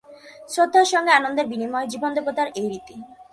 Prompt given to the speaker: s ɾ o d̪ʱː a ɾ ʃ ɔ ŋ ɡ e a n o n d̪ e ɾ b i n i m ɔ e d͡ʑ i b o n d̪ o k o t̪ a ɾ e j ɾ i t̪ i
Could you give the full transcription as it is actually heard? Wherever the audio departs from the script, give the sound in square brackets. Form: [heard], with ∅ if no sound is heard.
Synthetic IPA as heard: s ɾ o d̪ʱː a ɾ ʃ ɔ ŋ ɡ e a n o n d̪ e ɾ b i n i m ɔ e d͡ʑ i b o n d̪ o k o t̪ a ɾ e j ɾ i t̪ i